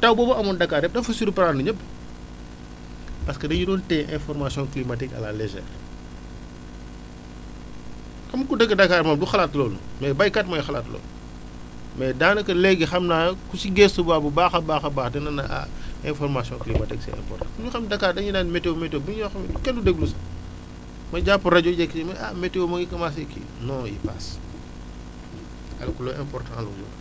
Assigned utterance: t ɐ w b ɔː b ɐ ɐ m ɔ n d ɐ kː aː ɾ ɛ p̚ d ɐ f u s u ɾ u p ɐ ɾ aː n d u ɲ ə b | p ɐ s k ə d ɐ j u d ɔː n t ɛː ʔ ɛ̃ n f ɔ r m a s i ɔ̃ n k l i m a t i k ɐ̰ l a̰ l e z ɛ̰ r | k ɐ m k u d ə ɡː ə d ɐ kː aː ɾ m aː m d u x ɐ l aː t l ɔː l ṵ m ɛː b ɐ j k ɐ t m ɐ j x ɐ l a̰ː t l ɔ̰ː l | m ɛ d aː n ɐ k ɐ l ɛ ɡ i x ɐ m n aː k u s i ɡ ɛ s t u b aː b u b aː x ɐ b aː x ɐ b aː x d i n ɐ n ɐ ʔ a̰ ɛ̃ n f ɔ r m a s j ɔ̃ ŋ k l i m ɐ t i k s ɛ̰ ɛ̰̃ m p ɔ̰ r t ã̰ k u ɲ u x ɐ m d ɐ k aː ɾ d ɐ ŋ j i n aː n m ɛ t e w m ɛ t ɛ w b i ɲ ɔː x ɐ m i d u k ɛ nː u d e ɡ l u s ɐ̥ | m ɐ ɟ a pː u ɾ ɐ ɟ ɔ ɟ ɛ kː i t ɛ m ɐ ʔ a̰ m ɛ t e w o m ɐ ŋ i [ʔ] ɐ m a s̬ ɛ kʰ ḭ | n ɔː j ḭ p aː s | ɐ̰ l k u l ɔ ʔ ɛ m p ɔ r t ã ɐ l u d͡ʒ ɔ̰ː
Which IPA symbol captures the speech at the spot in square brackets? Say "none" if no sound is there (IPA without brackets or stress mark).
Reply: k